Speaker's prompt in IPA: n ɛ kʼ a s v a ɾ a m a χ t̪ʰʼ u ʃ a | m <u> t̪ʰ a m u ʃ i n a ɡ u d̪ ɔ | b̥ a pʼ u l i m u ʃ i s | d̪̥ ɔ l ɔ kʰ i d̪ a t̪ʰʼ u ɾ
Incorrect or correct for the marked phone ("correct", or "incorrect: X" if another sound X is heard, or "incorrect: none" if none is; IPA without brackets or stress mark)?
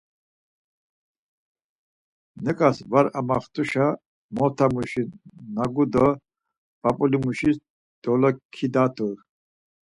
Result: incorrect: ɔ